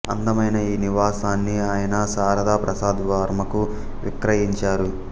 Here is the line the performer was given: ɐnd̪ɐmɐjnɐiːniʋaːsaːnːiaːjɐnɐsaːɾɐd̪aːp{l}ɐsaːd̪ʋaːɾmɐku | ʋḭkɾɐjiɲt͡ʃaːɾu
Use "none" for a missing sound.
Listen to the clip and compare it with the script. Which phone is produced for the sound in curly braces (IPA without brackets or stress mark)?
ɾ